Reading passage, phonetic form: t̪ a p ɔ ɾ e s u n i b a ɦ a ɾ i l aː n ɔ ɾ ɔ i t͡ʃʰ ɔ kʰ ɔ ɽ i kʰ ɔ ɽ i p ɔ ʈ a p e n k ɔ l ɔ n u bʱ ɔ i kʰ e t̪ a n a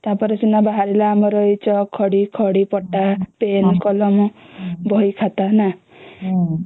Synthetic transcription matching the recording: t̪ a p ɔ ɾ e s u n a b a ɦ a ɾ i l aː m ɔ ɾ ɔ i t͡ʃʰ ɔ kʰ ɔ ɽ i kʰ ɔ ɽ i p ɔ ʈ a p e n k ɔ l ɔ m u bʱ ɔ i kʰ a t̪ a n a